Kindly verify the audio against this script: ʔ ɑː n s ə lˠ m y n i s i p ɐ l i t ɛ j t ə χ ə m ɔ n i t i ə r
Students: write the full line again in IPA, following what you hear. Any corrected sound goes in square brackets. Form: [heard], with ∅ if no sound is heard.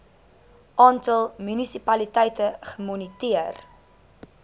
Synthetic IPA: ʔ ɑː n [t] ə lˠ m y n i s i p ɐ l i t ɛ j t ə χ ə m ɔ n i t i ə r